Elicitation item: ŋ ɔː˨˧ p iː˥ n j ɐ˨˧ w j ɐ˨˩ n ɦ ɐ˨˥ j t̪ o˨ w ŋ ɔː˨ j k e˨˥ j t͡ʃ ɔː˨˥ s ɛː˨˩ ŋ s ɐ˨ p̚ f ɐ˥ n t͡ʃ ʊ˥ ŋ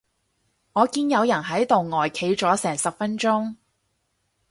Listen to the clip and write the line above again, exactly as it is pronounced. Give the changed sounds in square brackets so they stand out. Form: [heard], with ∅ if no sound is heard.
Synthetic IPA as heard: ŋ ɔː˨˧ [k] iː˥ n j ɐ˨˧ w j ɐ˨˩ n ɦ ɐ˨˥ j t̪ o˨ w ŋ ɔː˨ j [kʰ] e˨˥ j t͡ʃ ɔː˨˥ s ɛː˨˩ ŋ s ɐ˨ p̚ f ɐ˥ n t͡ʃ ʊ˥ ŋ